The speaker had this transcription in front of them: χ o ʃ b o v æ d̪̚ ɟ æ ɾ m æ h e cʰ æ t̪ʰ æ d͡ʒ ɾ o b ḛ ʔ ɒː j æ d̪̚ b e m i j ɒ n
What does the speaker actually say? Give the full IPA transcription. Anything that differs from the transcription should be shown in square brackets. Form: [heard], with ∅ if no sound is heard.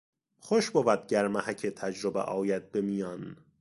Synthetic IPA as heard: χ o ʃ b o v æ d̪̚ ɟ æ ɾ m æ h [æ] cʰ [e] t̪ʰ æ d͡ʒ ɾ o b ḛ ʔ ɒː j æ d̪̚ b e m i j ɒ n